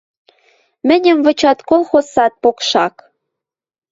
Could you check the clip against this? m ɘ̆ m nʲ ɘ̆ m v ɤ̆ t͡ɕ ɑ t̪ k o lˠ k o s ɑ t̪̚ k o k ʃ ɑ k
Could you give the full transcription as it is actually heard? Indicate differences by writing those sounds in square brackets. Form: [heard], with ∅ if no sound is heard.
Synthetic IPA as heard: m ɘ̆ [∅] nʲ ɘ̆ m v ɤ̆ t͡ɕ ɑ t̪ k o lˠ [x] o s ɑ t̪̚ [p] o k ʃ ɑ k